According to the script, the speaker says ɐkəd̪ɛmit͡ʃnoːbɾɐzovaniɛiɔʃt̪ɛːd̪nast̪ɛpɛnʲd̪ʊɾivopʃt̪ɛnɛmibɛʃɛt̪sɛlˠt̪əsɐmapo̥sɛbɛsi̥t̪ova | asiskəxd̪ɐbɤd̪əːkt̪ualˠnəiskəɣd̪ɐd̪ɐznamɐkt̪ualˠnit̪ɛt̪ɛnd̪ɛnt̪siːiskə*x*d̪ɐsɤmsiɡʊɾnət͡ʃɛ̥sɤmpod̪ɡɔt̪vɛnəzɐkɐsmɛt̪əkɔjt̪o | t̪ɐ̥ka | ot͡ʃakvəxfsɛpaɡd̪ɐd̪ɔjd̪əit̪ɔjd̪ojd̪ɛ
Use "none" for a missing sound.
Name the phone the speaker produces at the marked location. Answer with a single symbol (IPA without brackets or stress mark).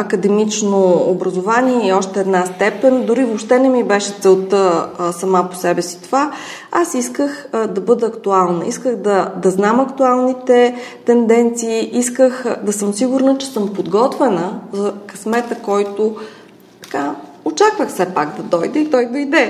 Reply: x